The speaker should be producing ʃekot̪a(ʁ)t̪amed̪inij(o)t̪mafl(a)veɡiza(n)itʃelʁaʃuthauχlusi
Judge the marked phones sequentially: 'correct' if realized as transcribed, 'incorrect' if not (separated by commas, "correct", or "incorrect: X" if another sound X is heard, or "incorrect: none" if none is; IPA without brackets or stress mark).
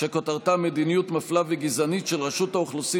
correct, incorrect: u, correct, correct